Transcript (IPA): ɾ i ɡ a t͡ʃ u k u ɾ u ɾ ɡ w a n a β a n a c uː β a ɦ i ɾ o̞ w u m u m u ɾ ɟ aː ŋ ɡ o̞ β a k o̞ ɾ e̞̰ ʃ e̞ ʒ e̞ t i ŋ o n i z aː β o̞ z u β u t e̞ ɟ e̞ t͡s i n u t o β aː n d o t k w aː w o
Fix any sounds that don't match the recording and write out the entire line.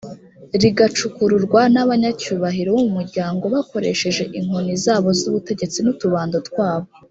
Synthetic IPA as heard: ɾ i ɡ a t͡ʃ u k u ɾ u ɾ ɡ w a n a β a ɲ a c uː β a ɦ i ɾ o̞ w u m u m u ɾ ɟ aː ŋ ɡ o̞ β a k o̞ ɾ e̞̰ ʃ e̞ ʒ e̞ ʔ i ŋ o n i z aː β o̞ z u β u t e̞ ɟ e̞ t͡s i n u t u β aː n d o t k w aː β o